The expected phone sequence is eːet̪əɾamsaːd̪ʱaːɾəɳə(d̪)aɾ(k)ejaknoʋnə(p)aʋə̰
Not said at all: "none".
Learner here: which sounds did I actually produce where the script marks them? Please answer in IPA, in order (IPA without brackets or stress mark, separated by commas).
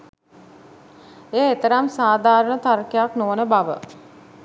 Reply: t̪, k, b